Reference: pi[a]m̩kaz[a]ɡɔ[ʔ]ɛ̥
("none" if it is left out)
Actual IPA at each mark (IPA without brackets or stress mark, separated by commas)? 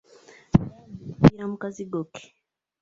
a, i, k